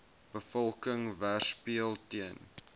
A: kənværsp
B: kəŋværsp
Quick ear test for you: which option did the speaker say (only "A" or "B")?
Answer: B